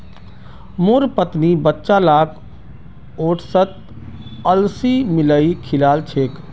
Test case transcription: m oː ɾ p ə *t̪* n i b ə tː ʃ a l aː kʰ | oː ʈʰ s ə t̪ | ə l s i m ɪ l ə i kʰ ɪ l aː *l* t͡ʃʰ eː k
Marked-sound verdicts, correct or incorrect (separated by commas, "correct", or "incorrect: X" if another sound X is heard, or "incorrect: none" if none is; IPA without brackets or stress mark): correct, correct